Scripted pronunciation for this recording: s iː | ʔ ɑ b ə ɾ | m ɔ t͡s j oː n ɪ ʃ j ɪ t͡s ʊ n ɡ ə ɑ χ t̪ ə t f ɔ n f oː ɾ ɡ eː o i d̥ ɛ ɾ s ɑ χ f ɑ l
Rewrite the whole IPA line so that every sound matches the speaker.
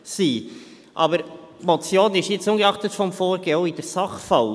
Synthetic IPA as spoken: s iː | ʔ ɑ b ə ɾ | m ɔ t͡s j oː n ɪ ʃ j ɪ t͡s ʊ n ɡ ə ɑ χ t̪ ə t f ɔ m f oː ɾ ɡ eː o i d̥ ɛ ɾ s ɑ χ f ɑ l